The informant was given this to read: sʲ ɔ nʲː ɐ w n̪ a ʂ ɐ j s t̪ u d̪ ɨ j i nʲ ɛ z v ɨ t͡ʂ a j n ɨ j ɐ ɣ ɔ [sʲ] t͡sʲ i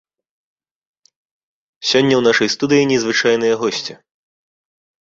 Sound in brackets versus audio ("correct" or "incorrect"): correct